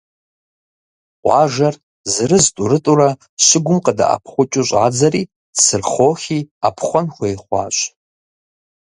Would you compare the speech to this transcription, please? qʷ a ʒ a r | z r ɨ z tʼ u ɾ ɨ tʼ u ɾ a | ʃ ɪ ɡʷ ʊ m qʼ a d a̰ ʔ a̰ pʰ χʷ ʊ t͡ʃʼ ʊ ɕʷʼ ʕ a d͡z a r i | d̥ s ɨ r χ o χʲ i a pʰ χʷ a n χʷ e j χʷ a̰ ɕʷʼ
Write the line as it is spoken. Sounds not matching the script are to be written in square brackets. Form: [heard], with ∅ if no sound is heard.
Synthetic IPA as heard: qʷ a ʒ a r | z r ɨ z tʼ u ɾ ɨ tʼ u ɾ a | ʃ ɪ ɡʷ ʊ m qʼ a d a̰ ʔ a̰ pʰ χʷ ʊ t͡ʃʼ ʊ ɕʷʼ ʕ a d͡z a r i | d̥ s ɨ r χ o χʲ i a pʰ χʷ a n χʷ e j χʷ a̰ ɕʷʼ